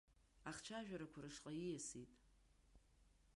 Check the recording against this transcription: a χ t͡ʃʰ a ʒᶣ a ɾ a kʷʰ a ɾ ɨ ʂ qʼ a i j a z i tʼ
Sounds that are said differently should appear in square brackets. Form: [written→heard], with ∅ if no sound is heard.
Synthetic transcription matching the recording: a χ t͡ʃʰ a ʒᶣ a ɾ a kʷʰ a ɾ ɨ ʂ qʼ a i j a [z→s] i tʼ

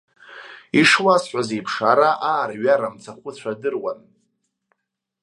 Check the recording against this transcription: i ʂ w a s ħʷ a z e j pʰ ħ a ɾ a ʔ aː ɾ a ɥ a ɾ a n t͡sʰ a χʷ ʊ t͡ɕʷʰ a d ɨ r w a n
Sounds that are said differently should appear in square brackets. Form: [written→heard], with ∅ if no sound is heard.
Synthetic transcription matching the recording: i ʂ w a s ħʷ a z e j pʰ [ħ→ʂ] a ɾ a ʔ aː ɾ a ɥ a ɾ a [n→m] t͡sʰ a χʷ ʊ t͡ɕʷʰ a d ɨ r w a n

